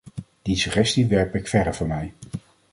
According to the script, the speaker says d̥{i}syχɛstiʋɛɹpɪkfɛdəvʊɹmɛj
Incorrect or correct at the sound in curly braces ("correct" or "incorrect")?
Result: correct